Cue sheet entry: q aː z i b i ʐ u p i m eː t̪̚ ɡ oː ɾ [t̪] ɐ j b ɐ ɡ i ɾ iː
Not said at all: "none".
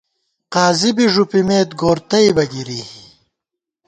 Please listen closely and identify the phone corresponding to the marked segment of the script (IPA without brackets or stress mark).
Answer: t̪